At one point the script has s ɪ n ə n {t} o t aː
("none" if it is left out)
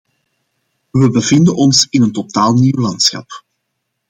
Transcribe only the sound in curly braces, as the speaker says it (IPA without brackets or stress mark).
t